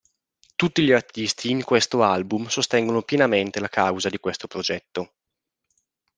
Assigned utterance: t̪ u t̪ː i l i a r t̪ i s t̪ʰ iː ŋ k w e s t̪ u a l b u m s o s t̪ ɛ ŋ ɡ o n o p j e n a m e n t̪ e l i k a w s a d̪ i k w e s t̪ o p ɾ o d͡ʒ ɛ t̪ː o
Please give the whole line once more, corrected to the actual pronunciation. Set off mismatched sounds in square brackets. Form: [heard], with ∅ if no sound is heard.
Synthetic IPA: t̪ u t̪ː i [ʎ] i a r t̪ i s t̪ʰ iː ŋ k w e s t̪ [o] a l b u m s o s t̪ ɛ ŋ ɡ o n o p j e n a m e n t̪ e l [a] k a w [z] a d̪ i k w e s t̪ o p ɾ o d͡ʒ ɛ t̪ː o